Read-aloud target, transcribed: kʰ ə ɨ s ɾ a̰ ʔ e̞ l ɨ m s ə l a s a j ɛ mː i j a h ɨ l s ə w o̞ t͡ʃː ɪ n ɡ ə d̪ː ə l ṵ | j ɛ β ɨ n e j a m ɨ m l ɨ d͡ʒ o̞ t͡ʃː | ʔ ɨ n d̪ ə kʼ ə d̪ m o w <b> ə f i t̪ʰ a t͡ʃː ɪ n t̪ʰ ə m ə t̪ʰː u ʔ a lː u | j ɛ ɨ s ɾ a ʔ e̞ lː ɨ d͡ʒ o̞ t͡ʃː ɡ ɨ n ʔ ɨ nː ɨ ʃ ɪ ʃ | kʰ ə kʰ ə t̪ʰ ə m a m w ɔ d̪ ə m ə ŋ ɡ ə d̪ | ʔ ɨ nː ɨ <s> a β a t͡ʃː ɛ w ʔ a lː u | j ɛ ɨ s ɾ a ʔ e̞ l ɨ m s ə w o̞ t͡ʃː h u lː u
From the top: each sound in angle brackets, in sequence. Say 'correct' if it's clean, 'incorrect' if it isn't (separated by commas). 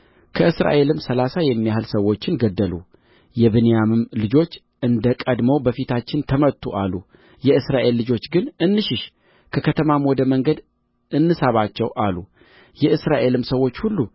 correct, correct